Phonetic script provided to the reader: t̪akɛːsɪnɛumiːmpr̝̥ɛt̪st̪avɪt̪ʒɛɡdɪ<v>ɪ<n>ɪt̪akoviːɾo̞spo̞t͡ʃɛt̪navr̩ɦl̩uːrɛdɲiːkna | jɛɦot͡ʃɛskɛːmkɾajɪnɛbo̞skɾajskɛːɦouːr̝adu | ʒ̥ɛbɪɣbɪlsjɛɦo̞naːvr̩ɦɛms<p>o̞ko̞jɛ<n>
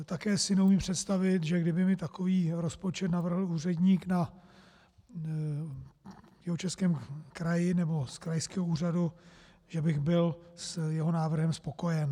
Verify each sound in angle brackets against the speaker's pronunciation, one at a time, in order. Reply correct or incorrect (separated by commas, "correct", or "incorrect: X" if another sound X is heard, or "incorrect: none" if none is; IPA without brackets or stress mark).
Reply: incorrect: b, incorrect: m, correct, correct